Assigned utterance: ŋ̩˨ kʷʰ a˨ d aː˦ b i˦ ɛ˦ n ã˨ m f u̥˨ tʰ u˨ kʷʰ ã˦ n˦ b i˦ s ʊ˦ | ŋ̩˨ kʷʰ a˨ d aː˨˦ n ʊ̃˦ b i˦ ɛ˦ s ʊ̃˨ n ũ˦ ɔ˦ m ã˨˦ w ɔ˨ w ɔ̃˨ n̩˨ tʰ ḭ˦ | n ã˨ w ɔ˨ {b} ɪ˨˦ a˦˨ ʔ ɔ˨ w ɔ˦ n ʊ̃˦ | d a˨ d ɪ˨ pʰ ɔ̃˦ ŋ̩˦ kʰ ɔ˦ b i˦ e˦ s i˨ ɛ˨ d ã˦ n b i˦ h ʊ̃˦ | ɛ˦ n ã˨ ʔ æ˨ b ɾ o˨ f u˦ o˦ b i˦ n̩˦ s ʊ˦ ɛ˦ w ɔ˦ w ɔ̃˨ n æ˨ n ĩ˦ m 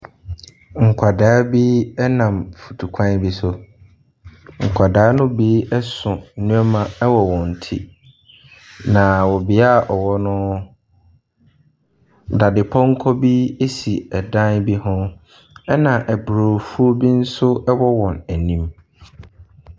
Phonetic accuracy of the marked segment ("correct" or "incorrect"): correct